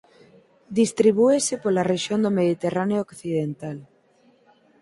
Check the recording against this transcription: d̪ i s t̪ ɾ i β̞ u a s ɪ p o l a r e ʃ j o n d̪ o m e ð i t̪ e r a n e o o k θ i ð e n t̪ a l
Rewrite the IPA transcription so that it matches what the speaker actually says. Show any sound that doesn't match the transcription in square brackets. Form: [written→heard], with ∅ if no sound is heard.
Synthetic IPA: d̪ i s t̪ ɾ i β̞ u [a→e] s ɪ p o l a r e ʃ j o n d̪ o m e ð i t̪ e r a n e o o k θ i ð e n t̪ a l

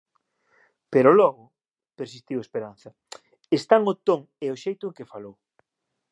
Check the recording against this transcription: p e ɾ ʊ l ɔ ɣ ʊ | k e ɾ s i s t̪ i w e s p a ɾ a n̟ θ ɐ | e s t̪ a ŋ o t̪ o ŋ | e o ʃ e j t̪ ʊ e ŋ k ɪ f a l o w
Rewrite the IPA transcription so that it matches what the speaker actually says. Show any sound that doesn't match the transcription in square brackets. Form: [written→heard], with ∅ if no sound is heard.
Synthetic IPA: p e ɾ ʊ l ɔ ɣ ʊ | [k→p] e ɾ s i s t̪ i w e s p [a→e] ɾ a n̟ θ ɐ | e s t̪ a ŋ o t̪ o ŋ | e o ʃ e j t̪ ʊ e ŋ k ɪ f a l o w

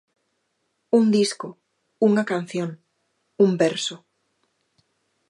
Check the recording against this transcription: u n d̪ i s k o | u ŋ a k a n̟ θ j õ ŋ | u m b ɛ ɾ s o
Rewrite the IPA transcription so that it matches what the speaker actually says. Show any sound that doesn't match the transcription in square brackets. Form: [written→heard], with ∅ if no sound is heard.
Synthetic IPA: u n d̪ i s k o | u ŋ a k a n̟ θ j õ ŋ | u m b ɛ ɾ s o

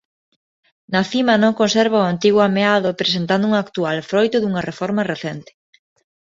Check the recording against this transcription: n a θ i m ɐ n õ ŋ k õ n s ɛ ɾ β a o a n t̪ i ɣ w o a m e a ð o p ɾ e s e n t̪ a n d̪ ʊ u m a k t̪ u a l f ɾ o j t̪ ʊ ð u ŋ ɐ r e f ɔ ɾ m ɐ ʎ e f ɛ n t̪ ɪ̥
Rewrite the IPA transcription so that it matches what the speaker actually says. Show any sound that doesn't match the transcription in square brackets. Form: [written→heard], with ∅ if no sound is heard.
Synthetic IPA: n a θ i m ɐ n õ ŋ k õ n s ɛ ɾ β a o a n t̪ i ɣ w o a m e a ð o p ɾ e s e n t̪ a n d̪ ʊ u [m→ŋ] a k t̪ u a l f ɾ o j t̪ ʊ ð u ŋ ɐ r e f ɔ ɾ m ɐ [ʎ→r] e [f→θ] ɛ n t̪ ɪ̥

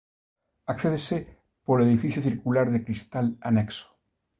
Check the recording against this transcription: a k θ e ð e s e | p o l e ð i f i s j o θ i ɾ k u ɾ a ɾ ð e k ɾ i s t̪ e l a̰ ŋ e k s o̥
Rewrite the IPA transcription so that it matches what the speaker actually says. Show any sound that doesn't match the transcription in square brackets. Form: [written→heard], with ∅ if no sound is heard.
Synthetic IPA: a k θ e ð e s e | p o l e ð i f i [s→θ] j o θ i ɾ k u [ɾ→l] a ɾ ð e k ɾ i s t̪ [e→a] l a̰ [ŋ→n] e k s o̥

